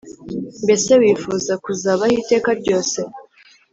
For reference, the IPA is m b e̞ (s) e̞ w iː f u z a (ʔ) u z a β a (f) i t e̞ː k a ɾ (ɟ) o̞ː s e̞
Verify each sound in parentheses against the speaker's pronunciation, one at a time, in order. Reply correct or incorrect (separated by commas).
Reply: correct, incorrect, incorrect, correct